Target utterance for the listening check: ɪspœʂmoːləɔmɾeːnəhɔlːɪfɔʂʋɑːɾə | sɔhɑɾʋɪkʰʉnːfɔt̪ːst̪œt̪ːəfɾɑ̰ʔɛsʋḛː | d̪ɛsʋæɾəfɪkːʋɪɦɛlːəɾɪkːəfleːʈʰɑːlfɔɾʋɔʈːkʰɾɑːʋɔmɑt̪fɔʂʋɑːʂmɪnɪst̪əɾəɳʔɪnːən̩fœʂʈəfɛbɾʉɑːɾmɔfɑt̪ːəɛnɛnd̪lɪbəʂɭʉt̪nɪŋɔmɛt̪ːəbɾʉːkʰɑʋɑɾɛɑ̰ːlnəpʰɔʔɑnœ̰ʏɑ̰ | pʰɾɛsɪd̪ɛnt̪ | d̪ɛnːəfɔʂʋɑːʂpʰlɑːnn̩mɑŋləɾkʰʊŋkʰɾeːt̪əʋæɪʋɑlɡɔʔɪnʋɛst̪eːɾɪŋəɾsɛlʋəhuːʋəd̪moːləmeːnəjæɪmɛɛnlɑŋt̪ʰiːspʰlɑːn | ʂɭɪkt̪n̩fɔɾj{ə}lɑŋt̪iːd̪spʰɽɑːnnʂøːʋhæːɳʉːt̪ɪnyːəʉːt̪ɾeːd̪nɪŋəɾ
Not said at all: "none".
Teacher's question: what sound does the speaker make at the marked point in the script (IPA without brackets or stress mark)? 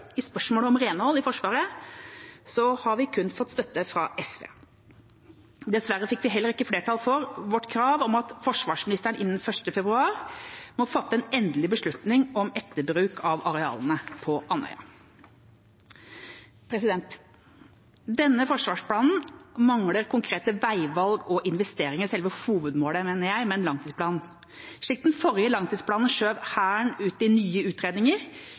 ə